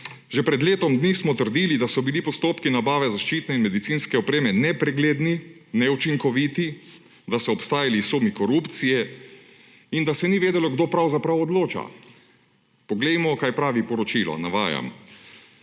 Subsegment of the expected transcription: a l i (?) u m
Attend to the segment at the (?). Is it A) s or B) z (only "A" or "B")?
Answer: A